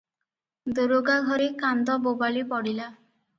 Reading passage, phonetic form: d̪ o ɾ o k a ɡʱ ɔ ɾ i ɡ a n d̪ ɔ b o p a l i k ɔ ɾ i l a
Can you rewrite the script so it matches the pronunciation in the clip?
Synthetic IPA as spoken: d̪ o ɾ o ɡ a ɡʱ ɔ ɾ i k a n d̪ ɔ b o b a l i p ɔ ɽ i l a